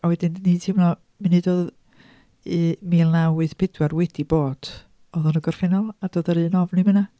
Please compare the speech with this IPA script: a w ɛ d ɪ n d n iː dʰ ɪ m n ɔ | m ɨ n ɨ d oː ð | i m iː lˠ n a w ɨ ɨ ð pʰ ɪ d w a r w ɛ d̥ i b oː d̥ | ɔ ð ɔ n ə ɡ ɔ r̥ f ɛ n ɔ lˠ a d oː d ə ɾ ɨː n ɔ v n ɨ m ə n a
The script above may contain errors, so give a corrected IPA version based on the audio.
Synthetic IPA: a w ɛ d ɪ n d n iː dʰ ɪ m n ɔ | m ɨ n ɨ d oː ð | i m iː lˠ n a w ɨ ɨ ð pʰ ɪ d w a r w ɛ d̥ i b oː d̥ | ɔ ð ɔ n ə ɡ ɔ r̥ f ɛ n ɔ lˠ a d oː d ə ɾ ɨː n ɔ v n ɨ m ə n a